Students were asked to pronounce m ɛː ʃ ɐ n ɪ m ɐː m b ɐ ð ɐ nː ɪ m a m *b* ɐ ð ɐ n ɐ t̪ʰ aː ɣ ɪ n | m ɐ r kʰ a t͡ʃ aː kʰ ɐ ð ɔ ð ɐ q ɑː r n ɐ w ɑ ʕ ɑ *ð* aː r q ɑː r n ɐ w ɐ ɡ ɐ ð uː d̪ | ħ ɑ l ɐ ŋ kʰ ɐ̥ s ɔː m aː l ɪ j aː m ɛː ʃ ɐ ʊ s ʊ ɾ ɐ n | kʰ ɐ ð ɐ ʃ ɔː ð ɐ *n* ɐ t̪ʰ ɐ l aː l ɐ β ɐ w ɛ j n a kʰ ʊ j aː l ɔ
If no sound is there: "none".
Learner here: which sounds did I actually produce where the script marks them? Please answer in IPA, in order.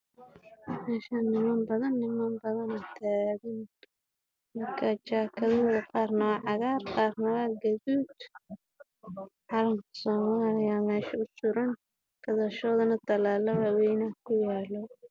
b, ɣ, n

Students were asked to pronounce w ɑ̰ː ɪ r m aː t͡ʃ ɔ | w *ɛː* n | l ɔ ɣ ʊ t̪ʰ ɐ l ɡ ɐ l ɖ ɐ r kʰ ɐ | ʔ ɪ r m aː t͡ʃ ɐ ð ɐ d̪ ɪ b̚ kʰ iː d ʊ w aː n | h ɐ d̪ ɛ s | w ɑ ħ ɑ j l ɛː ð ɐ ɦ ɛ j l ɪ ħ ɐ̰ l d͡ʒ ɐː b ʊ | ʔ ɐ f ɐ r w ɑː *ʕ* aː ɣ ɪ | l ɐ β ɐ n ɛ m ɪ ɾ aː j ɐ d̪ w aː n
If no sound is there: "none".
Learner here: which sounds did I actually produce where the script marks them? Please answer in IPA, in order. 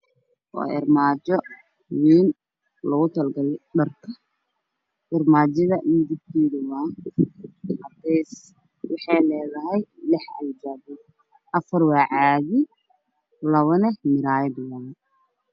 iː, ʕ

